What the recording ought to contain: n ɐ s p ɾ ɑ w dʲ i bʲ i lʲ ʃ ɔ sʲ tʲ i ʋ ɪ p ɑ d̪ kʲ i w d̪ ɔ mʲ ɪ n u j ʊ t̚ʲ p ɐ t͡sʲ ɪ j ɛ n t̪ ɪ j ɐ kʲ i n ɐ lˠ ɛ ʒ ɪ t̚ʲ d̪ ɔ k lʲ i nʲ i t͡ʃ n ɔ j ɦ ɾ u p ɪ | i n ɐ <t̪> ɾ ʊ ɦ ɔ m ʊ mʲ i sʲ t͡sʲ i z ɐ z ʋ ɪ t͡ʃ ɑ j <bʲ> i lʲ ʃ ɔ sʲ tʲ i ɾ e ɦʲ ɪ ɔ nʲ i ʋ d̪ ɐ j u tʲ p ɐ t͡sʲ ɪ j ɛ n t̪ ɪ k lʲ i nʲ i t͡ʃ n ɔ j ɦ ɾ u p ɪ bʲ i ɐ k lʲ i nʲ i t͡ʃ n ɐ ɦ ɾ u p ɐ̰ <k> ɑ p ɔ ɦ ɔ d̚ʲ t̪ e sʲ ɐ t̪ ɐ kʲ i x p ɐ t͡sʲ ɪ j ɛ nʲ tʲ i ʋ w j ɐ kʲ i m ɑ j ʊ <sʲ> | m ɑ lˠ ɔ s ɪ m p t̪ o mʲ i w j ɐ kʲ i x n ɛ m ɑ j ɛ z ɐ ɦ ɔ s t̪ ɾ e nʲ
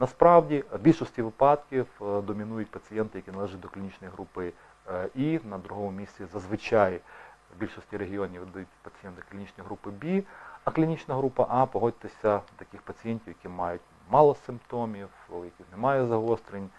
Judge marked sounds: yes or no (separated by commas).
no, yes, no, no